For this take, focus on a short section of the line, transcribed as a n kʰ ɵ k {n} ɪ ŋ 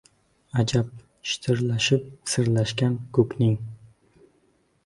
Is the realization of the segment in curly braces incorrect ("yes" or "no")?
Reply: no